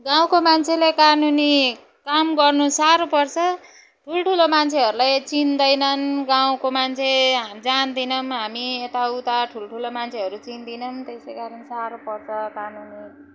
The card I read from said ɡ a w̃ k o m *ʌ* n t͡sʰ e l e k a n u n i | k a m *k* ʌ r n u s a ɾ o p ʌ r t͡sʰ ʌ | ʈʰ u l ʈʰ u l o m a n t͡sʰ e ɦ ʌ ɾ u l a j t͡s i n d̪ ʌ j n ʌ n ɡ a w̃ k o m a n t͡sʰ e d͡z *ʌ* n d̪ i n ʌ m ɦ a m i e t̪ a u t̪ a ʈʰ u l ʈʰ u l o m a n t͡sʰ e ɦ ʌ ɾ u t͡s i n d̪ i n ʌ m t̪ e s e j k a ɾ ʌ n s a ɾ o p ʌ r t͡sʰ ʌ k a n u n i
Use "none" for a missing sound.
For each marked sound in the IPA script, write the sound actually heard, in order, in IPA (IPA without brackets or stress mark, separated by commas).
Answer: a, ɡ, a